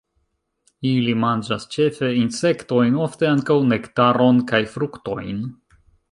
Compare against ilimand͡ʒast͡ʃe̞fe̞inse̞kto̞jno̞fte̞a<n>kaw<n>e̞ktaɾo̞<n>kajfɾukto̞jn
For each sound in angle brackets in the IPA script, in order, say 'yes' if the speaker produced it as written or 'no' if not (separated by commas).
no, yes, yes